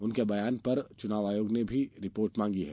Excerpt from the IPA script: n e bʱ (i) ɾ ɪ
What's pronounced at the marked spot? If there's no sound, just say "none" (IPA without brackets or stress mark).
i